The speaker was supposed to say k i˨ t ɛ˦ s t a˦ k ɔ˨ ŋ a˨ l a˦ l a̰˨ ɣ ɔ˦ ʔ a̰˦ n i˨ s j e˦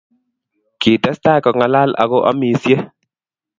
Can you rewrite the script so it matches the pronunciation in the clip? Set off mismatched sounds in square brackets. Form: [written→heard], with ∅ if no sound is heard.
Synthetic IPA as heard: k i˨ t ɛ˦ s t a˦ k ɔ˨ ŋ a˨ l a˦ l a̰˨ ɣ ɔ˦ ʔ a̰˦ [n→m] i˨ s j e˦